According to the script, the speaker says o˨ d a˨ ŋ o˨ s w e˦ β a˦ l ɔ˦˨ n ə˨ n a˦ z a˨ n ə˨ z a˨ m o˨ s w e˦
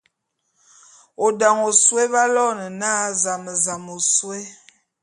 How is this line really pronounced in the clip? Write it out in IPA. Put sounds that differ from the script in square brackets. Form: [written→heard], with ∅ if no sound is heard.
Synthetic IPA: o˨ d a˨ ŋ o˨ s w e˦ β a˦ l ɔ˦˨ n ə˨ n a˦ z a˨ [n→m] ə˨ z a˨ m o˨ s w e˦